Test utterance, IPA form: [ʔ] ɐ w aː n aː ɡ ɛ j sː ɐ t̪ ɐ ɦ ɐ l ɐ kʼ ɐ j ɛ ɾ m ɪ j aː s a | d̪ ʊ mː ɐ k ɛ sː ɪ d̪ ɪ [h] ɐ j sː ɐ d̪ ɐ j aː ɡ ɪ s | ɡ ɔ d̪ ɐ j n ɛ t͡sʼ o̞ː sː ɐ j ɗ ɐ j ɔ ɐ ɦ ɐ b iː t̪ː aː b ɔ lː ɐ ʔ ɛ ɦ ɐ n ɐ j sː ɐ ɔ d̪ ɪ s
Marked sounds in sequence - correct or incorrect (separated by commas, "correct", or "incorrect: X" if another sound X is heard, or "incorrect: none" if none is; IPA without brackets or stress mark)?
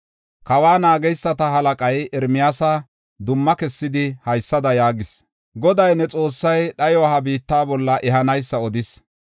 incorrect: k, correct